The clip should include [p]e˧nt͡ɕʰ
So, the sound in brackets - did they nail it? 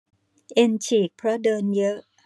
no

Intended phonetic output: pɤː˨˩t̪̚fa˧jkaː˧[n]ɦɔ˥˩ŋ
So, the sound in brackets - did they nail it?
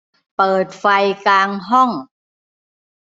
no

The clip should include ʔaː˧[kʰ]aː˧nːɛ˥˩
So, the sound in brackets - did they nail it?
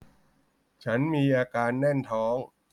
no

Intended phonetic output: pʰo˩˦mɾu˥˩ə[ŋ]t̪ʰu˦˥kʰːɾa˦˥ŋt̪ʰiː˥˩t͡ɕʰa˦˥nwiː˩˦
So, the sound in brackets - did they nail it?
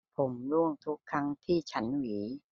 yes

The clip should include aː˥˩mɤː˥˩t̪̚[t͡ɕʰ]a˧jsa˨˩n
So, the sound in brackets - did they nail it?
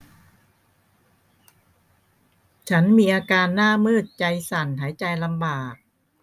no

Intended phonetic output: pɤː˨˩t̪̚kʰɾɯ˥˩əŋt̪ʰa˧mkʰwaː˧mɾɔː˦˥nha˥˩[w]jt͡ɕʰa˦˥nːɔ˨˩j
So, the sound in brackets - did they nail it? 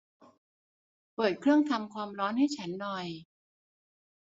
no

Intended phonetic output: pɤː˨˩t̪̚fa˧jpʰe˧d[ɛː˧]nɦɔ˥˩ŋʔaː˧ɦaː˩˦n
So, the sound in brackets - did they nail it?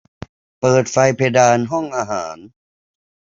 no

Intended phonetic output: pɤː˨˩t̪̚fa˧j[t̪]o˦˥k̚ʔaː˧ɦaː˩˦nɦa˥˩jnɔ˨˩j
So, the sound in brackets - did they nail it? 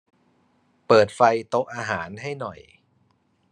yes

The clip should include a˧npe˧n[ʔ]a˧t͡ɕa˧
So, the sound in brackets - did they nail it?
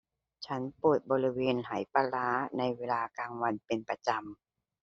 no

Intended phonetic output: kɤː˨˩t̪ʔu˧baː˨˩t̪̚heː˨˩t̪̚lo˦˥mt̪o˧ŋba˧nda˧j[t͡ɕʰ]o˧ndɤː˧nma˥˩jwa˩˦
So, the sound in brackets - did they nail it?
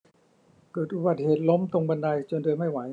no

